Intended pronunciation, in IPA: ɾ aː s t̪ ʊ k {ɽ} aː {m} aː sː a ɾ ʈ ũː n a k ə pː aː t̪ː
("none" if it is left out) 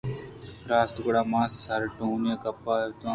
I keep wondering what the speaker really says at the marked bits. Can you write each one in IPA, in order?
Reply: ɽ, m

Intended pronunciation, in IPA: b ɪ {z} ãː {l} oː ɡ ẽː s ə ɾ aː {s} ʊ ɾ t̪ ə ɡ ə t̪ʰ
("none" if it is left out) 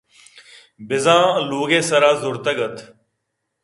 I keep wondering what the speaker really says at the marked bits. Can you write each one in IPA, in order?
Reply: z, l, z

